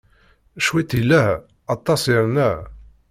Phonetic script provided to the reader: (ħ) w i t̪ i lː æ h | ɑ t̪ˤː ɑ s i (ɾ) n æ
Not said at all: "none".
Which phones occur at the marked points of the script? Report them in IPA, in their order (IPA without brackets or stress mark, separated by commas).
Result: ʃ, ɾ